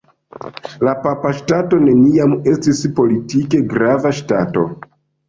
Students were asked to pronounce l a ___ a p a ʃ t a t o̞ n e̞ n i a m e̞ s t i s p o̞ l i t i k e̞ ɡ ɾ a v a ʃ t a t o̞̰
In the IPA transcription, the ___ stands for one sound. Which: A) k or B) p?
B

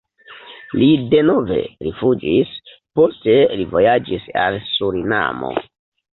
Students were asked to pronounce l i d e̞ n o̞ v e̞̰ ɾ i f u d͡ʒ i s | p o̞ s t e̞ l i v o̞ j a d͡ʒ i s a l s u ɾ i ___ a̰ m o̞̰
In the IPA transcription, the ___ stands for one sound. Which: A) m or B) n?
B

